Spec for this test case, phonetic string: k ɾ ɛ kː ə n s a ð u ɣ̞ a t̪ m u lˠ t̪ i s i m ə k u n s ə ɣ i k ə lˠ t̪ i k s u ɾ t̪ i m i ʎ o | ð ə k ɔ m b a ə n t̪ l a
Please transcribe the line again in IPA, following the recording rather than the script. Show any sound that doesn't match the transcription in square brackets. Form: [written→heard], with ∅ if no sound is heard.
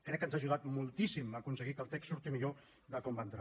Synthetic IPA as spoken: k ɾ ɛ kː ə n [s→z] a [ð→ʒ] u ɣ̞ a t̪ m u lˠ t̪ i s i m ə k u n s ə ɣ i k ə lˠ t̪ [i→ɛ] k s u ɾ t̪ i m i ʎ o | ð ə k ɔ m b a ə n t̪ [l→ɾ] a

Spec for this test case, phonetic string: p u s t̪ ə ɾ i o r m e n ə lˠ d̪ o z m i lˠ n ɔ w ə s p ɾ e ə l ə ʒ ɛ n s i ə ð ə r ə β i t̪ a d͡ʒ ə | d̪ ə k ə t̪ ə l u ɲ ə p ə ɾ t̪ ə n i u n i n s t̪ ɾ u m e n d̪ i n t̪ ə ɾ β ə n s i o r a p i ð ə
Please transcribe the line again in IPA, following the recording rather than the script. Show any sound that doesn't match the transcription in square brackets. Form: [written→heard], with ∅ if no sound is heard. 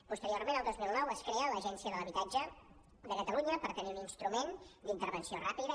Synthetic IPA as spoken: p u s t̪ ə ɾ i o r m e n ə lˠ d̪ o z m i lˠ n ɔ w ə s [p→k] ɾ e ə l ə ʒ ɛ n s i ə ð ə [r→l] ə β i t̪ a d͡ʒ ə | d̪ ə k ə t̪ ə l u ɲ ə p ə ɾ t̪ ə n i u n i n s t̪ ɾ u m e n d̪ i n t̪ ə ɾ β ə n s i o r a p i ð ə

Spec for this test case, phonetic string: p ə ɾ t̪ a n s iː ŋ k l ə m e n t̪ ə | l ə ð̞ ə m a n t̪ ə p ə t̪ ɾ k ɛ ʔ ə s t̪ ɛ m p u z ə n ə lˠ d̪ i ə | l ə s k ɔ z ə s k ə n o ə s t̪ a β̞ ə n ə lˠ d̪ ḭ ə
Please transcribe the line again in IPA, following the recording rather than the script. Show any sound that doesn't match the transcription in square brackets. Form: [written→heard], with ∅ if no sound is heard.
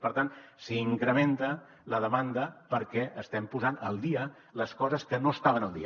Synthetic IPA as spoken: p ə ɾ t̪ a n s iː ŋ k [l→ɾ] ə m e n t̪ ə | l ə ð̞ ə m a n [t̪→d̪] ə p ə [t̪→∅] ɾ k ɛ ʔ ə s t̪ ɛ m p u z [ə→a] n ə lˠ d̪ i ə | l ə s k ɔ z ə s k ə n o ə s t̪ a β̞ ə n ə lˠ d̪ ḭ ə

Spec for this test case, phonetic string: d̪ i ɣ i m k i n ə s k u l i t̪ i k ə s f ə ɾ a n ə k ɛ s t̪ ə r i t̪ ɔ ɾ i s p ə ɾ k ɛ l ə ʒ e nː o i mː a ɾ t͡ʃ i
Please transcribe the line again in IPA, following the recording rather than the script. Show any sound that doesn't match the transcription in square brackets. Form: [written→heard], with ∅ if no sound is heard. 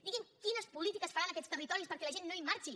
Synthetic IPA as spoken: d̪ i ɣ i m k i n ə s [k→p] u l i t̪ i k ə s f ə ɾ a n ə k ɛ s t̪ ə r i t̪ ɔ ɾ i s p ə ɾ k ɛ l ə ʒ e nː o i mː a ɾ t͡ʃ i

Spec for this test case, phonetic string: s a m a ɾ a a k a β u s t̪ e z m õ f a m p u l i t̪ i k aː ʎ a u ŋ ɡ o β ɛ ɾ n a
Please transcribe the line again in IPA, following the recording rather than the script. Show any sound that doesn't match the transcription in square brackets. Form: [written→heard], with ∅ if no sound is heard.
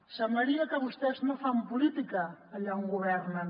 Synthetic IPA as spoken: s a m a ɾ [a→i] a k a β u s t̪ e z [m→n] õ f a m p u l i t̪ i k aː ʎ a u ŋ ɡ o β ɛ ɾ n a

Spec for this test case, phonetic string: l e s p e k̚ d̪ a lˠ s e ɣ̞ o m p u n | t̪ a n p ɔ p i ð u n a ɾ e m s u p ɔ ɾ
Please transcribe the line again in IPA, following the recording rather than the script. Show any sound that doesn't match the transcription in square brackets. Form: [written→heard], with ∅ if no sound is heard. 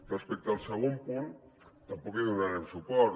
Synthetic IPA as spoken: [l→r] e s p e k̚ [d̪→t̪] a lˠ s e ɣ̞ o m p u n | t̪ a [n→m] p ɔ [p→k] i ð u n a ɾ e m s u p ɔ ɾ

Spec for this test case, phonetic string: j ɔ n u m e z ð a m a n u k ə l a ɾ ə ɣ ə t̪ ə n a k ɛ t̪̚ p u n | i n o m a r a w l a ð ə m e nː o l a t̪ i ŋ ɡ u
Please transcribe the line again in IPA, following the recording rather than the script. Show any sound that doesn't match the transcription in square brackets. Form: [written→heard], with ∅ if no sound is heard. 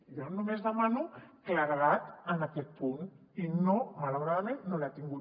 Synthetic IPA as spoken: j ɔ n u m e z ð [a→ə] m a n u k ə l a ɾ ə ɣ [ə→a] t̪ ə n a k ɛ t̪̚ p u n | i n o m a [r→l] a w [l→ɾ] a ð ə m e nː o l a t̪ i ŋ ɡ u

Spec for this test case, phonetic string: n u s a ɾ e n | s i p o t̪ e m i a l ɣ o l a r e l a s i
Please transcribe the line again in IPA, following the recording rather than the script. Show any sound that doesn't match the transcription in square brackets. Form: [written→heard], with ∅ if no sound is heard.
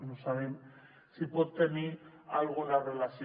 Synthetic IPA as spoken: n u s a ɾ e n | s i p o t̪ e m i a l ɣ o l a r e l a s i

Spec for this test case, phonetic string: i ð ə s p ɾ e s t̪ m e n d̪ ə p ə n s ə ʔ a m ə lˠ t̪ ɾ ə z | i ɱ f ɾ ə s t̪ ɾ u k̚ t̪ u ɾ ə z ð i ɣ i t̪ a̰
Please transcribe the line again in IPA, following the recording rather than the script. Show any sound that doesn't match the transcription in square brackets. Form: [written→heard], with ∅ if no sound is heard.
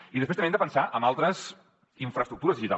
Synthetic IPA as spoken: i ð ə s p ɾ e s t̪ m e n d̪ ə p ə n s [ə→a] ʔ [a→ə] m [ə→a] lˠ t̪ ɾ ə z | i ɱ f ɾ ə s t̪ ɾ u k̚ t̪ u ɾ ə z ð i [ɣ→ʒ] i t̪ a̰

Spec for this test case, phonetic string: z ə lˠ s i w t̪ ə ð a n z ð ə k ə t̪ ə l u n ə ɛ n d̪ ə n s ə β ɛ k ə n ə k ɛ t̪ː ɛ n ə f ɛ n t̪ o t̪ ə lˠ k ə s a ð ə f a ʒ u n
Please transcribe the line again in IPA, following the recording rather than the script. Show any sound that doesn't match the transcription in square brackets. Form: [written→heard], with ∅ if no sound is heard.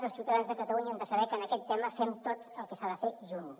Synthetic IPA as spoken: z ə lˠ s i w t̪ ə ð a n z ð ə k ə t̪ ə l u [n→ɲ] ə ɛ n d̪ ə [n→∅] s ə β ɛ k ə n ə k ɛ t̪ː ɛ [n→m] ə f ɛ [n→m] t̪ o t̪ ə lˠ k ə s a ð ə f [a→e] ʒ u n

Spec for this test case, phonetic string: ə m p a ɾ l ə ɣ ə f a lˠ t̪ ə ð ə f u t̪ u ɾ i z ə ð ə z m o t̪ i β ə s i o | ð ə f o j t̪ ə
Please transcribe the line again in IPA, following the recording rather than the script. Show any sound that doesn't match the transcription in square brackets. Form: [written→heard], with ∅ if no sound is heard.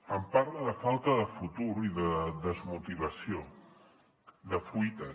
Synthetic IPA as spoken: ə m p a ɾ l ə [ɣ→ð] ə f a lˠ t̪ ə ð ə f u t̪ u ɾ i [z→ð] ə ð ə z m [o→u] t̪ i β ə s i o | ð ə f [o→u] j t̪ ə

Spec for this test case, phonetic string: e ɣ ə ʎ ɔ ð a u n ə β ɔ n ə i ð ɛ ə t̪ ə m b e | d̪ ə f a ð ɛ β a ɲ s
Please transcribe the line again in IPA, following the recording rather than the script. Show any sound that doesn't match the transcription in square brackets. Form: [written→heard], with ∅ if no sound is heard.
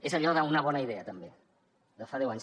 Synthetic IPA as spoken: e [ɣ→z] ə ʎ ɔ ð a u n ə β ɔ n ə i ð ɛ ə t̪ ə m b e | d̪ ə f a ð ɛ [β→w] a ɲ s

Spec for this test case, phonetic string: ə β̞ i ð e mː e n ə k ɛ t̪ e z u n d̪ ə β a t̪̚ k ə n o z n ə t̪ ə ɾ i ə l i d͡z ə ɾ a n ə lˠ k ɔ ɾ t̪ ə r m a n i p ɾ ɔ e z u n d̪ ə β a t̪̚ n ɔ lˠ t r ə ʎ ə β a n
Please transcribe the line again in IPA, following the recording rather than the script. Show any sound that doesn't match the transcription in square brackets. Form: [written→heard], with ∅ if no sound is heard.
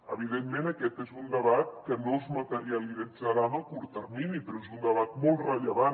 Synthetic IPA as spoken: ə β̞ i ð e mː e n ə k ɛ t̪ e z u n d̪ ə β a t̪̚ k ə n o z [n→m] ə t̪ ə ɾ i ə l i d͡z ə ɾ a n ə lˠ k [ɔ→u] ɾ t̪ ə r m [a→i] n i p ɾ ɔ e z u n d̪ ə β a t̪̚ [n→m] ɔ lˠ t r ə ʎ ə β a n

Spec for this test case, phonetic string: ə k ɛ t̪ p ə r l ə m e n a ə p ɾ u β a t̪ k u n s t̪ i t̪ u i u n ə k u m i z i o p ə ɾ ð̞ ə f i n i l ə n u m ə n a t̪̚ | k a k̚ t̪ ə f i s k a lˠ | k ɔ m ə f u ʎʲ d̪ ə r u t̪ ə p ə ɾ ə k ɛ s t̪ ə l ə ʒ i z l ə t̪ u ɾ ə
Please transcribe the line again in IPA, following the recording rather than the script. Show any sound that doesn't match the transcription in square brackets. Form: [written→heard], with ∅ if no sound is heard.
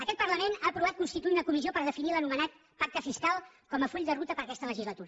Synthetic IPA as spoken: ə k ɛ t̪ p ə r l ə m e n a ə p ɾ u β a t̪ k u n s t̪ i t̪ u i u n ə k u m i z i o p ə ɾ ð̞ ə f i n i l ə n u m ə n a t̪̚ | [k→p] a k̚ t̪ ə f i s k a lˠ | k ɔ m ə f u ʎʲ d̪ ə r u t̪ ə p ə ɾ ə k ɛ s t̪ ə l ə ʒ i z l ə t̪ u ɾ ə

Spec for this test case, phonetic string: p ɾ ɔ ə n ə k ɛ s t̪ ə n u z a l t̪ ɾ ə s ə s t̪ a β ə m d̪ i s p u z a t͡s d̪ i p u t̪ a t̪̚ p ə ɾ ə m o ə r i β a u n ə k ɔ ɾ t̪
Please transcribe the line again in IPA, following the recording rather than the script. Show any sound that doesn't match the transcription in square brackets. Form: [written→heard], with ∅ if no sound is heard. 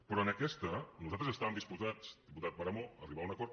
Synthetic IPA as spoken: p ɾ ɔ ə n ə k ɛ s t̪ ə n u z a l t̪ ɾ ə [s→z] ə s t̪ a β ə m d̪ i s p u z a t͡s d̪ i p u t̪ a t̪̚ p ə ɾ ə m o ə r i β a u n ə k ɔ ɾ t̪

